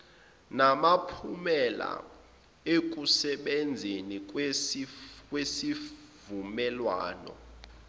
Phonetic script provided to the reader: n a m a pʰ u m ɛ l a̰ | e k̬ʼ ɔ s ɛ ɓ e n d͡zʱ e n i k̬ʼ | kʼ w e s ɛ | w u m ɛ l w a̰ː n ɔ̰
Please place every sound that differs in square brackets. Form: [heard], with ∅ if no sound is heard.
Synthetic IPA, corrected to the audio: n a m a pʰ u m ɛ l a̰ | e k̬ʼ [u] s ɛ ɓ e n d͡zʱ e n i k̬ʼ | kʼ w e s [i] | [v] u m ɛ l w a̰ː n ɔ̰